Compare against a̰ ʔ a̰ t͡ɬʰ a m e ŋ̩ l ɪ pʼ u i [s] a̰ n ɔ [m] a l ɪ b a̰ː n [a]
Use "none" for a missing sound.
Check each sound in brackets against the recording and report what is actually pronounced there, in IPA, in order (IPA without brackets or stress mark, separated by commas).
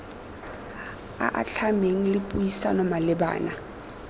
s, m, a